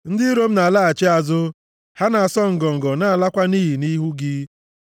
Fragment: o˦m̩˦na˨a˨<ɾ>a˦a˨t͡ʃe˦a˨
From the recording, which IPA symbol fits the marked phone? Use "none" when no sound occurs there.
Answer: l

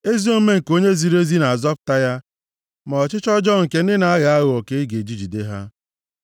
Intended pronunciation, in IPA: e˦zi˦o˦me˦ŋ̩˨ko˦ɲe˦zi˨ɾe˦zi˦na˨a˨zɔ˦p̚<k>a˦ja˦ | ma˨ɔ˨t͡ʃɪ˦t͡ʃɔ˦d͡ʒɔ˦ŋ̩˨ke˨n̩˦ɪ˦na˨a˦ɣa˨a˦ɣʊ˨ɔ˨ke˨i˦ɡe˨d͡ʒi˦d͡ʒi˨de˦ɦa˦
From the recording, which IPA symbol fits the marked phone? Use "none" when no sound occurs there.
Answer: t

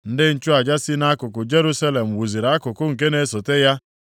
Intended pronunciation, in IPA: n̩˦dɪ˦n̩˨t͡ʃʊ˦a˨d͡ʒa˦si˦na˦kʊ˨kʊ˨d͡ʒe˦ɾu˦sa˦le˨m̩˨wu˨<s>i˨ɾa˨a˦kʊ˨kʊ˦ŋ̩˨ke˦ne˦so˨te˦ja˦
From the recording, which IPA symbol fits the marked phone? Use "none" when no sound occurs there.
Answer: z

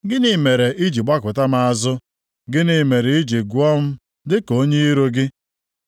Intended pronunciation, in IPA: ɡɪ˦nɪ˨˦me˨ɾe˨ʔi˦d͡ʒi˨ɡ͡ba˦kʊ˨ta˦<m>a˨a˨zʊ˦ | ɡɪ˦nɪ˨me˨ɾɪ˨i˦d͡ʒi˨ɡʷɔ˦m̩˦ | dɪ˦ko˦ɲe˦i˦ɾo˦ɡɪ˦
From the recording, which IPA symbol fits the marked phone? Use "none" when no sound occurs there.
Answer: m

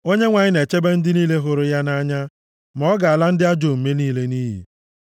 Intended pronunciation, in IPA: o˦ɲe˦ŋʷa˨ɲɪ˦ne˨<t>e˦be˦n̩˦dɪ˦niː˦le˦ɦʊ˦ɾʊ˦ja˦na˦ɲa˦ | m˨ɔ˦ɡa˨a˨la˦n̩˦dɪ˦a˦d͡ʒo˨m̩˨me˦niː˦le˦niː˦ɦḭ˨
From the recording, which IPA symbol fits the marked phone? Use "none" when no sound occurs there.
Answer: t͡ʃ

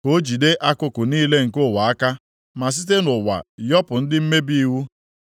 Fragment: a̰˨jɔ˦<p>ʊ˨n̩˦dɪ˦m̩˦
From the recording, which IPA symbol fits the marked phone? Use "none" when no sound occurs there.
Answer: p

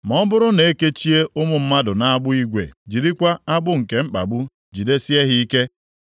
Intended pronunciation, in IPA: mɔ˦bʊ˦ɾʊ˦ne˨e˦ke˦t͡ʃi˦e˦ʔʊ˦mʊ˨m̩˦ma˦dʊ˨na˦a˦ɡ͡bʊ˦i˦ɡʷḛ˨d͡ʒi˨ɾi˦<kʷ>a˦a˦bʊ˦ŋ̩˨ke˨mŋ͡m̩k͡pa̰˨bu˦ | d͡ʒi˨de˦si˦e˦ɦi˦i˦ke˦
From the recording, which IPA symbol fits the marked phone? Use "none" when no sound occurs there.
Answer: kʷ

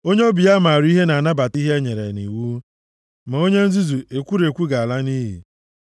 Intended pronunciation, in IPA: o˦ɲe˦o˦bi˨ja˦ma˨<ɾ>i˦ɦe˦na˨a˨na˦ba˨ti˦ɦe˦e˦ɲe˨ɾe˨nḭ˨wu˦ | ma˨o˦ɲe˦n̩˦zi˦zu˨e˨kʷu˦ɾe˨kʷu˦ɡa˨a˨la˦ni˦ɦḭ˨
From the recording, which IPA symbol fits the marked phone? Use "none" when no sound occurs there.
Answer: ɾ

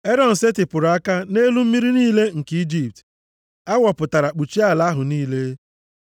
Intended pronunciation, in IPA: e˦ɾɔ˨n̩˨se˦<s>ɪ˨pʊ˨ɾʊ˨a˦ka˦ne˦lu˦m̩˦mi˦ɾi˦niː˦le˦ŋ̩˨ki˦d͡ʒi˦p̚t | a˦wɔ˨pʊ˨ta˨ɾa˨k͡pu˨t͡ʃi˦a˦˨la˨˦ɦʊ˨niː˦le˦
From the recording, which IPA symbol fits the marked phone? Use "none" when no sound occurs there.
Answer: t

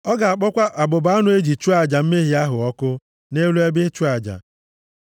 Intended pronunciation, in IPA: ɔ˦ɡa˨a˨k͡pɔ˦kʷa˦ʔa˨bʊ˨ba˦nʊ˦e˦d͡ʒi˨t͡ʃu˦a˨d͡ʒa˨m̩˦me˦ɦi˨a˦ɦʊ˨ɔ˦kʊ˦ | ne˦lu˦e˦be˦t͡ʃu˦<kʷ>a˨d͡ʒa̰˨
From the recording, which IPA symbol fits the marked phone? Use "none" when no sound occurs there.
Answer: none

